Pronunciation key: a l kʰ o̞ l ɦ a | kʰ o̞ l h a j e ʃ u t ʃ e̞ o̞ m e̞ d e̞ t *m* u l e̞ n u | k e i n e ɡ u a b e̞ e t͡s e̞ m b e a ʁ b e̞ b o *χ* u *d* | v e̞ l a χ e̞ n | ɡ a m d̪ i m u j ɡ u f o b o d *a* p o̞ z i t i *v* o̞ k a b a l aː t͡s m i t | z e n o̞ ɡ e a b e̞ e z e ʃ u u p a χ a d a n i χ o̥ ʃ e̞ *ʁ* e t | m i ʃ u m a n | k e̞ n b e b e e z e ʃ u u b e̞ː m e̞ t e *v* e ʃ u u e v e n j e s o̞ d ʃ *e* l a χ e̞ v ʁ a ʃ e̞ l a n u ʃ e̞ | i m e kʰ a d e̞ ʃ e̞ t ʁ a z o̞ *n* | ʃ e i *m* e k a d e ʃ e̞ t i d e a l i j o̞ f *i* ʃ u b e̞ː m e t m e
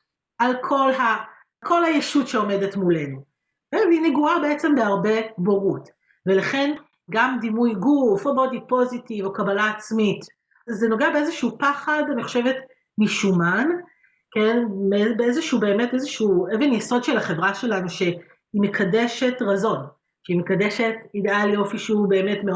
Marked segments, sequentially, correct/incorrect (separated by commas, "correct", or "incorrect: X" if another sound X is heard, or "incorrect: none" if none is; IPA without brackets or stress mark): correct, incorrect: ʁ, incorrect: t, incorrect: i, correct, incorrect: v, incorrect: z, correct, correct, correct, correct